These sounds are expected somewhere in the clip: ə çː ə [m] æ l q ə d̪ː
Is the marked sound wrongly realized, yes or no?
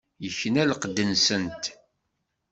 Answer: yes